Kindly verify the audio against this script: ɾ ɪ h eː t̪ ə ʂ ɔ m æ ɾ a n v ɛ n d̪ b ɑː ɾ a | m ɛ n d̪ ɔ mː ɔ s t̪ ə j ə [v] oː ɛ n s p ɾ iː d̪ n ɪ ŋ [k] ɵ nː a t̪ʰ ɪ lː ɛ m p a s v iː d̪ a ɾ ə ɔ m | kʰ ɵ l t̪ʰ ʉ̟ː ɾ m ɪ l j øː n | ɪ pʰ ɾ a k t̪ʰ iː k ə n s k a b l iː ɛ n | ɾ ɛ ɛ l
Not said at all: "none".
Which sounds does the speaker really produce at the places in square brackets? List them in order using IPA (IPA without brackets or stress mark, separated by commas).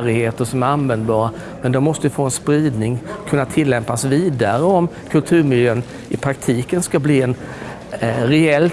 f, kʰ